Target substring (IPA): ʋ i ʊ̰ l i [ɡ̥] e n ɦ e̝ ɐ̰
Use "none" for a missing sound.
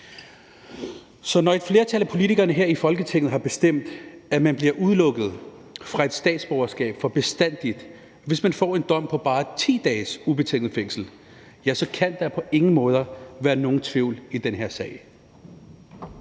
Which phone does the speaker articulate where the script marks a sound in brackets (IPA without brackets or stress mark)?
d̥